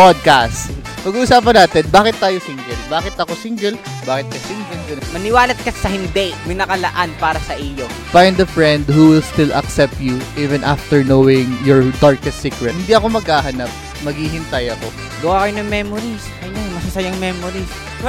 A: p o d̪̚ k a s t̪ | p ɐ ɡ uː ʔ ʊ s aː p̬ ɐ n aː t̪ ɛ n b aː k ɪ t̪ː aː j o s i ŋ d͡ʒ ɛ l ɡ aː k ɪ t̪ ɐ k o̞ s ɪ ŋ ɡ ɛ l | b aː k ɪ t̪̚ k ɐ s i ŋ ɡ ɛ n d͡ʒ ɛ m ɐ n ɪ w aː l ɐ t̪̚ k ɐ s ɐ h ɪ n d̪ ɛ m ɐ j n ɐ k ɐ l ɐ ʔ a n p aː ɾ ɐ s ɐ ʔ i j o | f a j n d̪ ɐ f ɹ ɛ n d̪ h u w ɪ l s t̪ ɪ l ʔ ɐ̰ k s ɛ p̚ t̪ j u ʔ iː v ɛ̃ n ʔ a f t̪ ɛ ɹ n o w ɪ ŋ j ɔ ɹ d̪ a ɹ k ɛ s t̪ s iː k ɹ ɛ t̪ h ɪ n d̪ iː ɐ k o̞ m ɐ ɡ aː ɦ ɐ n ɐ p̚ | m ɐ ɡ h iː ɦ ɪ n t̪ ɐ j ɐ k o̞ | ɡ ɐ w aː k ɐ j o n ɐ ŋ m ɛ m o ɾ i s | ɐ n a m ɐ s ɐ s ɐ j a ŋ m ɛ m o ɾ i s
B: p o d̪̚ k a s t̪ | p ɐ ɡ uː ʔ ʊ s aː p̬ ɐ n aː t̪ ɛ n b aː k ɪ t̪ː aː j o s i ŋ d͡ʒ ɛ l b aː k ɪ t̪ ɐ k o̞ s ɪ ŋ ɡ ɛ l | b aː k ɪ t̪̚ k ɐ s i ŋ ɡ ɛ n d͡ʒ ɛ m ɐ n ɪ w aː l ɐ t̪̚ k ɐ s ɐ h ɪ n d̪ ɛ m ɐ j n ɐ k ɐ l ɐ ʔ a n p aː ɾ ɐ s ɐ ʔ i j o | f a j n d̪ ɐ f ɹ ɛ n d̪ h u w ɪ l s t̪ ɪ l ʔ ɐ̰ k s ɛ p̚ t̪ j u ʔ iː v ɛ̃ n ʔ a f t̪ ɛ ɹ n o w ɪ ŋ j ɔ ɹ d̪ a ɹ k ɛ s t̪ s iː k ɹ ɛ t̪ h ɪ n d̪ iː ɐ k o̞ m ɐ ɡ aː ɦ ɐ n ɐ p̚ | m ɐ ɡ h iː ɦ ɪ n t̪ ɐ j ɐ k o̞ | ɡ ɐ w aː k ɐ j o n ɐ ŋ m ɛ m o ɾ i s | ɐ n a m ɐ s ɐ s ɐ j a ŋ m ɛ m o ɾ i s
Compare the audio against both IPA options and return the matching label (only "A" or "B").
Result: B